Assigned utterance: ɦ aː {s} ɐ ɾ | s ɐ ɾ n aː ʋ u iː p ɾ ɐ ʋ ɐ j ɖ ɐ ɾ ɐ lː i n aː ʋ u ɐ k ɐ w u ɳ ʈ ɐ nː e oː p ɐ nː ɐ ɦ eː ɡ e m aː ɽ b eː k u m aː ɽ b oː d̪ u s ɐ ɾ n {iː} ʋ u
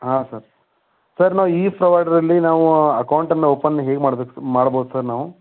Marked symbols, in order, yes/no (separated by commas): yes, no